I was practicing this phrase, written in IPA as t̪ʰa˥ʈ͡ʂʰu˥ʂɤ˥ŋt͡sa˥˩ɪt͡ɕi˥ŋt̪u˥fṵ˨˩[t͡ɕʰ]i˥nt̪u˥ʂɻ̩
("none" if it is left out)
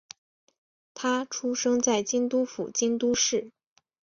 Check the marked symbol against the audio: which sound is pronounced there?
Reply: t͡ɕ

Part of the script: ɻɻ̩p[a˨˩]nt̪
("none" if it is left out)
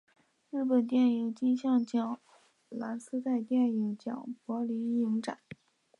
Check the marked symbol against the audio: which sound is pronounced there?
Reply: ə˨˩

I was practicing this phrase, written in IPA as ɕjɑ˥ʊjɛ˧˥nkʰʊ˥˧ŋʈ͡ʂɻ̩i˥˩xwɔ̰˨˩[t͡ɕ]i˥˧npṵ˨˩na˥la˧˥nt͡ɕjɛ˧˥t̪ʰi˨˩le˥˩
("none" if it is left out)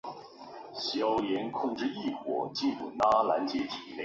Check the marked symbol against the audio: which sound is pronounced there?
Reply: t͡ɕ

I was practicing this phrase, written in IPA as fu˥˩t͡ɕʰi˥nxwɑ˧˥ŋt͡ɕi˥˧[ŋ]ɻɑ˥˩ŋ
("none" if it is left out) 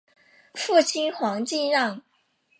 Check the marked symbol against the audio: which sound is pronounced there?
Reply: n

